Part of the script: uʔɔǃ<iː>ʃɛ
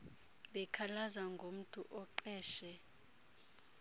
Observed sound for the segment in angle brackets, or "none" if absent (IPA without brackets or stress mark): ɛː